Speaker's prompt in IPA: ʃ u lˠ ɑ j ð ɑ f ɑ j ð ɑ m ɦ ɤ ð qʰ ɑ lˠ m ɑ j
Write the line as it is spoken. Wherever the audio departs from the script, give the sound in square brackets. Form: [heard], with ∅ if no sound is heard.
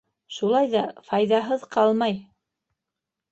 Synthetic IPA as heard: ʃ u lˠ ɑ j ð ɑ f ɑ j ð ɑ [∅] ɦ ɤ ð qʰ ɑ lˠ m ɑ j